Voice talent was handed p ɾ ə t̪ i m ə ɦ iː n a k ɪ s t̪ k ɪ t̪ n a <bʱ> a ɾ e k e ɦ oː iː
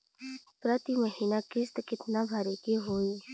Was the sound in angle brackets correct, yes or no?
yes